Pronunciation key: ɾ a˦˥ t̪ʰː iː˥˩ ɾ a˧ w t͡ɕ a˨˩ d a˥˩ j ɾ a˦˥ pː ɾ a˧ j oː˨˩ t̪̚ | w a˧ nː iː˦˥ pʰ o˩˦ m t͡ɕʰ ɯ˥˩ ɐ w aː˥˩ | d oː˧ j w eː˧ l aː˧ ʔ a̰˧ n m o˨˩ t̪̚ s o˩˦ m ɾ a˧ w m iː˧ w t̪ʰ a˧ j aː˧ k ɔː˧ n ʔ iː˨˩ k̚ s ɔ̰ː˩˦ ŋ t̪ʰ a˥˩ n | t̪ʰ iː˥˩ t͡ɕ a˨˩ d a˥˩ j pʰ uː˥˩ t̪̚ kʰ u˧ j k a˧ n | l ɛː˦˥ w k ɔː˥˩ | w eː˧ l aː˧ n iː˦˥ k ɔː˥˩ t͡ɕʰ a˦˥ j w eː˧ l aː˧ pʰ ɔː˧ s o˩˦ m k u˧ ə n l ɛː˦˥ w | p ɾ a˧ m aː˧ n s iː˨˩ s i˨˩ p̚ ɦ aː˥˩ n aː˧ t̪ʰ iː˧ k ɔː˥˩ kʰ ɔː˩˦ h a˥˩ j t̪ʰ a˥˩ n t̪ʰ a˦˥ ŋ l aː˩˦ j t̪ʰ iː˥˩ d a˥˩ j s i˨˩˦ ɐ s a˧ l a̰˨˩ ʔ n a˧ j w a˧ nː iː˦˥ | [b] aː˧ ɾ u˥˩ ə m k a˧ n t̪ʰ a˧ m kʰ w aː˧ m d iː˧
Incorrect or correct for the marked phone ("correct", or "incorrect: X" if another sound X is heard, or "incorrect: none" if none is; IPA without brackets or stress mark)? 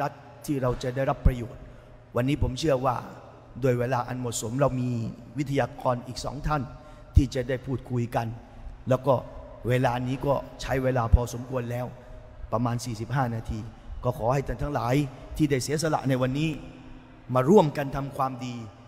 incorrect: m